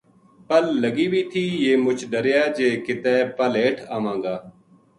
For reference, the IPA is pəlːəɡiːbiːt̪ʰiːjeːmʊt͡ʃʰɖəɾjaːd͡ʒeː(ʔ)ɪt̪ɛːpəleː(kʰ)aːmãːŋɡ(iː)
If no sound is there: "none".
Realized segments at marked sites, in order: k, ʈʰ, aː

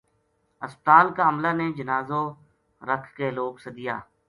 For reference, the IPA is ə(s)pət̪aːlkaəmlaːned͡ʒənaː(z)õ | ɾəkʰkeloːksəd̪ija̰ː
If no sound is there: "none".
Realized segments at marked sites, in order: s, z

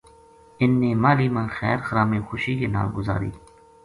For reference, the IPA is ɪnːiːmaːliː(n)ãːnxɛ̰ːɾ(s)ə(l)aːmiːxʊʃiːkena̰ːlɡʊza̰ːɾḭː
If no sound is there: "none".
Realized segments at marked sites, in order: m, x, ɾ

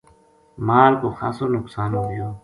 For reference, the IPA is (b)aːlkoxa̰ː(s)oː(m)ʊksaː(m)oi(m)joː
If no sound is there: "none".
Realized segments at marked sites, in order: m, s, n, n, none

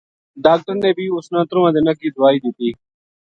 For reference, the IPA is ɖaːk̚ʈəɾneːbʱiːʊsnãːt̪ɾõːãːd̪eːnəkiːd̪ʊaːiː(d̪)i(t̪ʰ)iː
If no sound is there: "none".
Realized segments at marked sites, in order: d̪, t̪

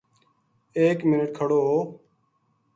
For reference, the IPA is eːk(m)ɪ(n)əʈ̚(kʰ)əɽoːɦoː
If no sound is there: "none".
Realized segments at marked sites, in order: m, n, kʰ

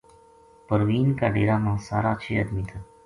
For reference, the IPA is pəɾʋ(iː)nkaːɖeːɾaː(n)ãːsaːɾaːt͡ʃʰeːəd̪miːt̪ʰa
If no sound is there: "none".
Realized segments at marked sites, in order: iː, m

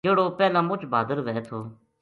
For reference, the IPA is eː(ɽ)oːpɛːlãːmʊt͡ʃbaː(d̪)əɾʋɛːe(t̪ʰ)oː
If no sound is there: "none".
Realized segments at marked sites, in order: ɽ, d̪, t̪ʰ

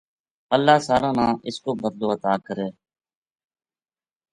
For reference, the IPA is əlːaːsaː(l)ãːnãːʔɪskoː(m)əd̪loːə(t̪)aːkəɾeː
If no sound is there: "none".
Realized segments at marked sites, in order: ɾ, b, t̪

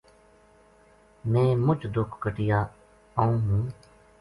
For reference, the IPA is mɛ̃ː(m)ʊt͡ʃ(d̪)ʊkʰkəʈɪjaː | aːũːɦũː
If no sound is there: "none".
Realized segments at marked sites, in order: m, d̪

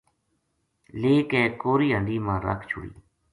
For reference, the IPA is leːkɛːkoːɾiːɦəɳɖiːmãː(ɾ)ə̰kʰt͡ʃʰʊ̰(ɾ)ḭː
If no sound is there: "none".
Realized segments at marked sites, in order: ɾ, ɽ

